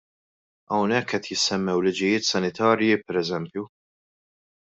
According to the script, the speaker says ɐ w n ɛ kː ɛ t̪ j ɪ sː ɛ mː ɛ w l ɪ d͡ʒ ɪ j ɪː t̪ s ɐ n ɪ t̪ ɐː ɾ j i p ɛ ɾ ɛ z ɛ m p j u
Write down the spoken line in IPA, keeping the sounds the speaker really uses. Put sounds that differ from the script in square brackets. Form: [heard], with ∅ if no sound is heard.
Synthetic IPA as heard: ɐ w n ɛ kː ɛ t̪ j ɪ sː ɛ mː ɛ w l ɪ d͡ʒ ɪ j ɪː t̪ s ɐ n ɪ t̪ ɐː ɾ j i p ɛ ɾ ɛ z ɛ m p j u